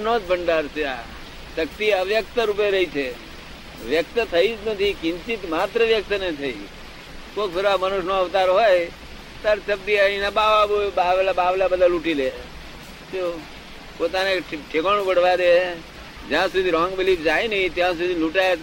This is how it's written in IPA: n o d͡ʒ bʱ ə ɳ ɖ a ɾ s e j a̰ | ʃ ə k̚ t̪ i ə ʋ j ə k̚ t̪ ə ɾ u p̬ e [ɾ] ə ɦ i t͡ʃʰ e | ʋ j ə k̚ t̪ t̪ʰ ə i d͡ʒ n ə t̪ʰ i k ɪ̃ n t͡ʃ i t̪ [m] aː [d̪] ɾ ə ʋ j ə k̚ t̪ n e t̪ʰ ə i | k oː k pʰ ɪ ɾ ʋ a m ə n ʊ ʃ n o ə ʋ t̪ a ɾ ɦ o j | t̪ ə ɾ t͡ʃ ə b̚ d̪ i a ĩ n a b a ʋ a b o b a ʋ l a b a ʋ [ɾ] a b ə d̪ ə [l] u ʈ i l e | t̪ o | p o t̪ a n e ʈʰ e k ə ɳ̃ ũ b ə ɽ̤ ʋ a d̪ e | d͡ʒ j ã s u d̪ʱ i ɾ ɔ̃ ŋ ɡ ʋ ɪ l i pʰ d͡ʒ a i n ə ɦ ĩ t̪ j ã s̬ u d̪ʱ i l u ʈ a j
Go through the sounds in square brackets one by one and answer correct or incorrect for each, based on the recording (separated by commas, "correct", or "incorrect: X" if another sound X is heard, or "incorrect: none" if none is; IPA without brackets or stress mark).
correct, correct, incorrect: t̪, incorrect: l, correct